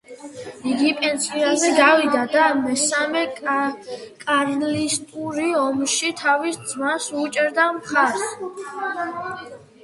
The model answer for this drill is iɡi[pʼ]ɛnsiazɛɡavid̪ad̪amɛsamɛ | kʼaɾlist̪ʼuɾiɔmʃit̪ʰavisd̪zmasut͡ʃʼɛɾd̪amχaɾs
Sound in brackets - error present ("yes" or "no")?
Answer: no